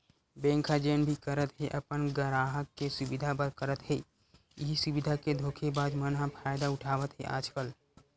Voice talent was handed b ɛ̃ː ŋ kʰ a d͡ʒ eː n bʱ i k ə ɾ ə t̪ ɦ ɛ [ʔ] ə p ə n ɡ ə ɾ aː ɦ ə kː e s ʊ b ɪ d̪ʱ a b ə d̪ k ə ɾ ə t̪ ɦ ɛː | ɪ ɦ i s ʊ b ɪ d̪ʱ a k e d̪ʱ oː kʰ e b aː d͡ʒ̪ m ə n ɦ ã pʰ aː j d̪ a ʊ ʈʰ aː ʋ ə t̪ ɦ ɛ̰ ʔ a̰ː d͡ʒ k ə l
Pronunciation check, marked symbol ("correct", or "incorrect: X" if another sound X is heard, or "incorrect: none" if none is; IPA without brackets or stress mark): correct